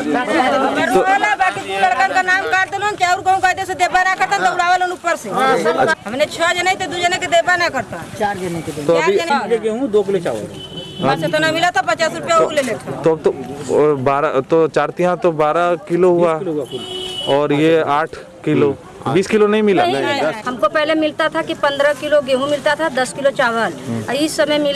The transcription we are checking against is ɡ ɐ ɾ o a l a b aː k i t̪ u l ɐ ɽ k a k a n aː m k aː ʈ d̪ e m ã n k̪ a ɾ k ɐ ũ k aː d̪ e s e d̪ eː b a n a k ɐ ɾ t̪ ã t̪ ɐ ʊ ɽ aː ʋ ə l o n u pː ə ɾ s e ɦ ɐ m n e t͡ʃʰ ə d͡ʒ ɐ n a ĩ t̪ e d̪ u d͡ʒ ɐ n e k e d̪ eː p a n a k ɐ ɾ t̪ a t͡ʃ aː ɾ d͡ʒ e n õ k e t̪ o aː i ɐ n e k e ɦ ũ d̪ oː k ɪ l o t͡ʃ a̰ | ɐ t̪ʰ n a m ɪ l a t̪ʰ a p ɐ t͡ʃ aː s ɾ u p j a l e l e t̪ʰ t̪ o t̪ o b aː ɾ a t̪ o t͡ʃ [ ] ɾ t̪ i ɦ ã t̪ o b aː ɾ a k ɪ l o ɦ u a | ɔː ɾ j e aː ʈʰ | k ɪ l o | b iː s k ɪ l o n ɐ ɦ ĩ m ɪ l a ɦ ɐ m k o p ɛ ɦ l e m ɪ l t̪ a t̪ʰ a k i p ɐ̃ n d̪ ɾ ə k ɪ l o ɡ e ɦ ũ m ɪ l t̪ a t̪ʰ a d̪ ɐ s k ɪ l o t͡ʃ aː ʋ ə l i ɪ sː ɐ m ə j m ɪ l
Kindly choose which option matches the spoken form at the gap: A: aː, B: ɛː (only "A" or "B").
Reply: A